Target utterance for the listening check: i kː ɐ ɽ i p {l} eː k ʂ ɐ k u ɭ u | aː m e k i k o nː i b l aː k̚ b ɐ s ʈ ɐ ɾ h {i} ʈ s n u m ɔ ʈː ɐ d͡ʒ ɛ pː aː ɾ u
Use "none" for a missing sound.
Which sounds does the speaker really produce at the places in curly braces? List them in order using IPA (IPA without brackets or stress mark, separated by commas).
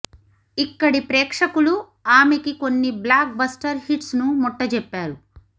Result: ɾ, i